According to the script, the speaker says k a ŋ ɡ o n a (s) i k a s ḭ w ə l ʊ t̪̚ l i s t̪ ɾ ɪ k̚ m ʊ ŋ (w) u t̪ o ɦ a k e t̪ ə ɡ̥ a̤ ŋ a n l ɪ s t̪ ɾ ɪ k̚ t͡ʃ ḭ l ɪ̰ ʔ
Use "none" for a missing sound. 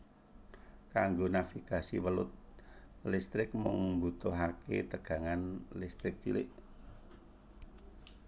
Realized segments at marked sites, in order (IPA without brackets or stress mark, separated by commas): f, b